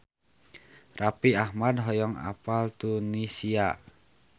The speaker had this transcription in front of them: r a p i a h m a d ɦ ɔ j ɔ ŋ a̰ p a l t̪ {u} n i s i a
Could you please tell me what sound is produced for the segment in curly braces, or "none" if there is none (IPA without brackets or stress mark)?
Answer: u